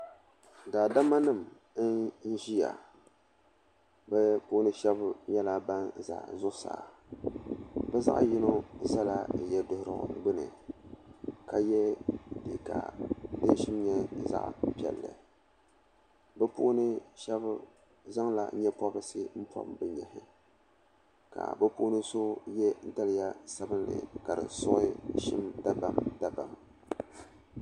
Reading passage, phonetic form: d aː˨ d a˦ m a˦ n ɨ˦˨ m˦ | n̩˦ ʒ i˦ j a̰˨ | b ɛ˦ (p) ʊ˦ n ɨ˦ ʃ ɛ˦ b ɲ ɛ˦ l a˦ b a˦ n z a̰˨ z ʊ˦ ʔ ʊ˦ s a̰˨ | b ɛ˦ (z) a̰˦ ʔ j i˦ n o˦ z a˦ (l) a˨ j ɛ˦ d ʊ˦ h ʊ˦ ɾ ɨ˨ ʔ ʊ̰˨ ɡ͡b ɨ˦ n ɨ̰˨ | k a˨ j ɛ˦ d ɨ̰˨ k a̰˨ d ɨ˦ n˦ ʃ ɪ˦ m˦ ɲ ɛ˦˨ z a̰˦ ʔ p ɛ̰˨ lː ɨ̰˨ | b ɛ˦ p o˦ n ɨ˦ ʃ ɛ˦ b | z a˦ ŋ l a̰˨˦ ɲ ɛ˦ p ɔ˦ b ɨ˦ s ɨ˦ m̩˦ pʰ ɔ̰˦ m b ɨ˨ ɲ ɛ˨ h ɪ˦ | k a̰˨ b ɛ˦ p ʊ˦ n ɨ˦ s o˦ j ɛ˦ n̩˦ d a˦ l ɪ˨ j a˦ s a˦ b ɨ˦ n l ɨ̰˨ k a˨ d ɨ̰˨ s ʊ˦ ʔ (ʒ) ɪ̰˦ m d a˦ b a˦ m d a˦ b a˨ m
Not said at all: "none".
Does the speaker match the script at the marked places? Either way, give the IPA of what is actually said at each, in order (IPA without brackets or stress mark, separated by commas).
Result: p, z, l, ʃ